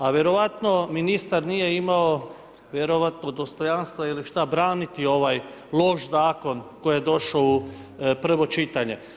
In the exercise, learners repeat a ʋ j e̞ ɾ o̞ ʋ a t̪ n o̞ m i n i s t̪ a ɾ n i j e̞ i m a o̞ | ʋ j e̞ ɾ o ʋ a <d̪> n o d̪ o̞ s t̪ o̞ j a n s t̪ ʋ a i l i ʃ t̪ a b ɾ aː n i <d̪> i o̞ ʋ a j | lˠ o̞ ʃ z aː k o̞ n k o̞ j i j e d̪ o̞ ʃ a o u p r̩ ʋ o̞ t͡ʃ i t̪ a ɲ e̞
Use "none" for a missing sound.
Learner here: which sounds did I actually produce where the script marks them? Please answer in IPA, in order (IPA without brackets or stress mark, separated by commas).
t̪, t̪